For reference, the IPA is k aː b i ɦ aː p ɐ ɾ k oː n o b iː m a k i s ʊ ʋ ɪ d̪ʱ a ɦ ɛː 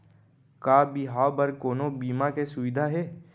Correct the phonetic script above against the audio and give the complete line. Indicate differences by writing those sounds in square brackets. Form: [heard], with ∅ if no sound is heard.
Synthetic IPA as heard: k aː b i ɦ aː [b] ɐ ɾ k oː n o b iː m a k [e] s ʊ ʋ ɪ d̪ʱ a ɦ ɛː